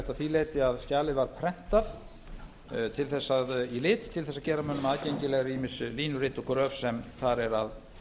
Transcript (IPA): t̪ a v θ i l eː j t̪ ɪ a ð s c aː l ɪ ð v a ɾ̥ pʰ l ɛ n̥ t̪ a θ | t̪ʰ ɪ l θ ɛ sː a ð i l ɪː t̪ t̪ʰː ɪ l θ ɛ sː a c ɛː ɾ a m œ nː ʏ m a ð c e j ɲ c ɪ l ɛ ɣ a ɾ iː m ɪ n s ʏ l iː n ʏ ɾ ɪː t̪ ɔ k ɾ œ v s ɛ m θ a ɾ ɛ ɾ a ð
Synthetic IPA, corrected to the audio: t̪ a ð θ i l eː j t̪ ɪ a ð s c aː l ɪ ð v a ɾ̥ pʰ ɾ ɛ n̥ t̪ a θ | t̪ʰ ɪ l θ ɛ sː a ð i l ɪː t̪ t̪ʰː ɪ l θ ɛ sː a c ɛː ɾ a m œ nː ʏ m a ð c e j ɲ c ɪ l ɛ ɣ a ɾ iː m ɪ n s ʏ l iː n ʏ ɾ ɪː t̪ ɔ k ɾ œ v s ɛ m θ a ɾ ɛ ɾ a ð